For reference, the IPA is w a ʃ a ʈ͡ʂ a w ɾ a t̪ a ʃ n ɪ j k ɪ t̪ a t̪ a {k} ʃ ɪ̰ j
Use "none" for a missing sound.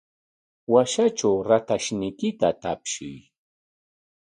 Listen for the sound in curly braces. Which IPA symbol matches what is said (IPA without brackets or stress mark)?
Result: p